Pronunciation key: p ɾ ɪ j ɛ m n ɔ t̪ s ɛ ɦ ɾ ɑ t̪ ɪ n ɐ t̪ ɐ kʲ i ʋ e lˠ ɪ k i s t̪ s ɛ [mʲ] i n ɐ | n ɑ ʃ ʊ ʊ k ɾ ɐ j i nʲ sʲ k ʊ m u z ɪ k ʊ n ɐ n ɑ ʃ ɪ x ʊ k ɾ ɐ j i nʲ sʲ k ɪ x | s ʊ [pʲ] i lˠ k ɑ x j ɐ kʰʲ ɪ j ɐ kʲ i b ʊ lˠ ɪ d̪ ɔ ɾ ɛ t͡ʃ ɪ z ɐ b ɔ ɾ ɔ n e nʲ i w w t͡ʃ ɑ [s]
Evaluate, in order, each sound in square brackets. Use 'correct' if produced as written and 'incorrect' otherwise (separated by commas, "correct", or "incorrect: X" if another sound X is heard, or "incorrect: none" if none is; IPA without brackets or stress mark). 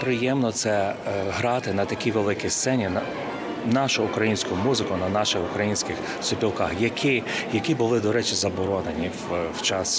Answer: incorrect: nʲ, correct, correct